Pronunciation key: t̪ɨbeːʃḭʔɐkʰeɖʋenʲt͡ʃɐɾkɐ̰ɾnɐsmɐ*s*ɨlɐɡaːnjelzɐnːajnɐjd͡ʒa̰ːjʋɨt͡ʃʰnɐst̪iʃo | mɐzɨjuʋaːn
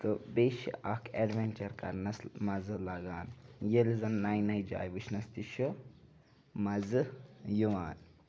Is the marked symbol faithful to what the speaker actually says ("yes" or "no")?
no